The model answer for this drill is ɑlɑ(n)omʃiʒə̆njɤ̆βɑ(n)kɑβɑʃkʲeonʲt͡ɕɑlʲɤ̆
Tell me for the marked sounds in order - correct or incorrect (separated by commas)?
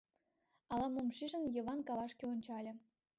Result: incorrect, correct